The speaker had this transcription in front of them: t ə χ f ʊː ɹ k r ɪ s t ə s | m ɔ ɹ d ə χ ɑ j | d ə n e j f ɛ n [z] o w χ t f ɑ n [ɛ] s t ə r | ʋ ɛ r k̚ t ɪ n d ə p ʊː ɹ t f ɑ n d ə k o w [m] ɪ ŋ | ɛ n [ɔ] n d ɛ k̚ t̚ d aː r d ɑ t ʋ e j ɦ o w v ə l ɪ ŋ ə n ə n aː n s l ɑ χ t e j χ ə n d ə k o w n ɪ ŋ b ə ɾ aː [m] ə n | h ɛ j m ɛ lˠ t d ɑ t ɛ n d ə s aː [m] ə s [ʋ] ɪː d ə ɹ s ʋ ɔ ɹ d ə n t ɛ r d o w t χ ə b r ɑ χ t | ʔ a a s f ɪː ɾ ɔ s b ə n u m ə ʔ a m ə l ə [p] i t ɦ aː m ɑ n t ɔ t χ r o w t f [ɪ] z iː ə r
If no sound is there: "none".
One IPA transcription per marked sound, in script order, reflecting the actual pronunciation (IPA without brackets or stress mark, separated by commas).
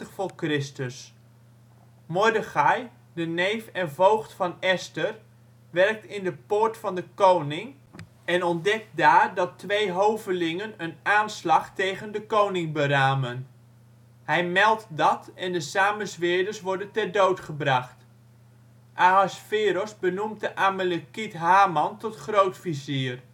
v, ɛ, n, ɔ, m, m, ʋ, k, i